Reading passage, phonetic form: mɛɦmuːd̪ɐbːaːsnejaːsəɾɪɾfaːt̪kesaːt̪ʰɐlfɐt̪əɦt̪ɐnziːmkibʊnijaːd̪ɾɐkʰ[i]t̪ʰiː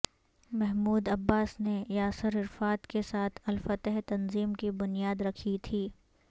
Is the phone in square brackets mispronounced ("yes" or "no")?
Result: no